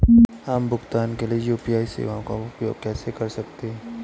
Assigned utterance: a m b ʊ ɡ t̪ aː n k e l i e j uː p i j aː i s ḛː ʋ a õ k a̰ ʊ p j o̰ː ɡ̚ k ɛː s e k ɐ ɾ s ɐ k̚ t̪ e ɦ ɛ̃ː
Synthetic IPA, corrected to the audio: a m b ʊ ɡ t̪ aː n k e l i e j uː p i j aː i s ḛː ʋ a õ k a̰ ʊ p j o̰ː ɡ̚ k ɛː s e k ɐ ɾ s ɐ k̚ t̪ e ɦ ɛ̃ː